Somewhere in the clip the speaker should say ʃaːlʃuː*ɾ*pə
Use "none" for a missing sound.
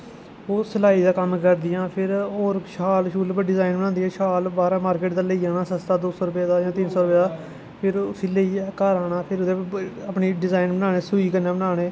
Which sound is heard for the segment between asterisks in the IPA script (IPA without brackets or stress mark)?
l